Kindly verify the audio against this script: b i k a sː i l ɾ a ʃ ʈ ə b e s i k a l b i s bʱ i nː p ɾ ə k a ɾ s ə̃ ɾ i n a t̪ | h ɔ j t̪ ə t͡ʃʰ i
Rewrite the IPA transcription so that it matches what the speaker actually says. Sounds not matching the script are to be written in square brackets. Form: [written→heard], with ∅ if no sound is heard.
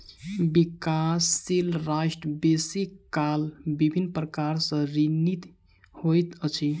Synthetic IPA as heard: b i k a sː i l ɾ a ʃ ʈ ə b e s i k a l b i [s→∅] bʱ i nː p ɾ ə k a ɾ s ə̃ ɾ i n [a→i] t̪ | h [ɔ→o] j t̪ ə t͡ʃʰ i